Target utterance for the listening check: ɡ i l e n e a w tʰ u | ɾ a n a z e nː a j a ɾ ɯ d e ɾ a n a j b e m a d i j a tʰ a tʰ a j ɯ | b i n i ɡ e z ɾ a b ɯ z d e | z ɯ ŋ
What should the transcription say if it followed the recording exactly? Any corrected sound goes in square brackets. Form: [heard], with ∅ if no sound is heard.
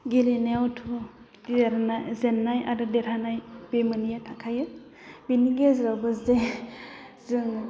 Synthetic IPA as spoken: ɡ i l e n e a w tʰ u | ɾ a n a z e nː a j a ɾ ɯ d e ɾ a n a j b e m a [n] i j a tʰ a [kʰ] a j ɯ | b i n i ɡ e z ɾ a b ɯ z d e | z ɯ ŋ